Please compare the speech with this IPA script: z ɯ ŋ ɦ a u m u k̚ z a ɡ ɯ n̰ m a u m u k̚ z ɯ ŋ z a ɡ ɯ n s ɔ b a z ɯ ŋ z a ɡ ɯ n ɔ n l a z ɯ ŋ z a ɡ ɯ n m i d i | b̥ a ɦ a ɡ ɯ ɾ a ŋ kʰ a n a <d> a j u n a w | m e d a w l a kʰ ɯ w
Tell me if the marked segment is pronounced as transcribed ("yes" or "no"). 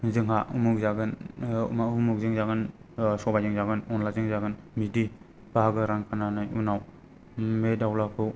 no